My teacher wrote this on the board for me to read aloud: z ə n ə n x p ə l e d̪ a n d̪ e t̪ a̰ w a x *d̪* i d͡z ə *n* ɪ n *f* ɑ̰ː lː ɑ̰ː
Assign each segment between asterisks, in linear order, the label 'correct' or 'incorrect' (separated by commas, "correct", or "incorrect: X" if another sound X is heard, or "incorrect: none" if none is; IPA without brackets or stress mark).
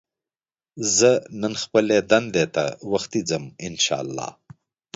incorrect: t̪, incorrect: m, incorrect: ʃ